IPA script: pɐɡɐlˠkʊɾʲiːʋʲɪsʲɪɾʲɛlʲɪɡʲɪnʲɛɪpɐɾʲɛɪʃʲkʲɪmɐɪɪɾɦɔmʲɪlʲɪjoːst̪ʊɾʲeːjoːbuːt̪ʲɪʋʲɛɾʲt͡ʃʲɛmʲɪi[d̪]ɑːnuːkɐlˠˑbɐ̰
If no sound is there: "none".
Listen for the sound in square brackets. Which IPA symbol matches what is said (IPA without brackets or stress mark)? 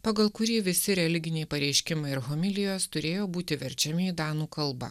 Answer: d̪